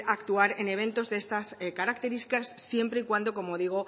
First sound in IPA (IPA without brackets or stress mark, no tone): a